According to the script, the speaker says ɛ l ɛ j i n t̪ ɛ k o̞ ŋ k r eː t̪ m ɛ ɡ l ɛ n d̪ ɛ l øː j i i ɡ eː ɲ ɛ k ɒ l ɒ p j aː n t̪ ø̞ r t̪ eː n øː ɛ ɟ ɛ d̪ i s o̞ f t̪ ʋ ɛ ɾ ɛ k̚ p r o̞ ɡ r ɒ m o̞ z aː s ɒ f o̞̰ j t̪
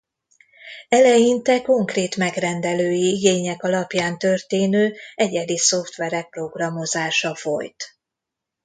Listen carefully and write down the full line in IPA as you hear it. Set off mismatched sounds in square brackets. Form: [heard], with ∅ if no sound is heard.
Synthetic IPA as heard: ɛ l ɛ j i n t̪ ɛ k o̞ ŋ k r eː t̪ m ɛ ɡ [r] ɛ n d̪ ɛ l øː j i i ɡ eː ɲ ɛ k ɒ l ɒ p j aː n t̪ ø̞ r t̪ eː n øː ɛ ɟ ɛ d̪ i s o̞ f t̪ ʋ ɛ ɾ ɛ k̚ p r o̞ ɡ r ɒ m o̞ z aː [ʃ] ɒ f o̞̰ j t̪